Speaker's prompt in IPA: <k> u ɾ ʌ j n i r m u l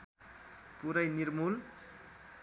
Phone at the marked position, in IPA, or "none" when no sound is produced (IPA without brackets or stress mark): p